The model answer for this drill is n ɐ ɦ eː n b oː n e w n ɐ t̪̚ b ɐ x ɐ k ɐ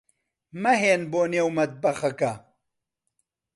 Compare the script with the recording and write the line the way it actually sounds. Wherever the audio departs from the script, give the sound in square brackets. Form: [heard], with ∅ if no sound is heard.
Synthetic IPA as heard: [m] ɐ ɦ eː n b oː n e w [m] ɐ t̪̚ b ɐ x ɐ k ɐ